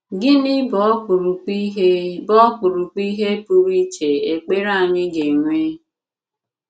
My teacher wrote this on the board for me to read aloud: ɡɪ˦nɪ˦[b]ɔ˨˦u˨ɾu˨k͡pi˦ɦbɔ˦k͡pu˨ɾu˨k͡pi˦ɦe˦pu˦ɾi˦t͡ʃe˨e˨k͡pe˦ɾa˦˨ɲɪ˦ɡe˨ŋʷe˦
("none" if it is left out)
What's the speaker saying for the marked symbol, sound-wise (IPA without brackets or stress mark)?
b